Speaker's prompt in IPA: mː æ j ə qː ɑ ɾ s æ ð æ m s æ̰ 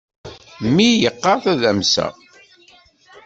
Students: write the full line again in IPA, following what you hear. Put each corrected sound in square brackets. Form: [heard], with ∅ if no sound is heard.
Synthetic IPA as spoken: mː [i] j ə qː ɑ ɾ [θ] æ ð æ m s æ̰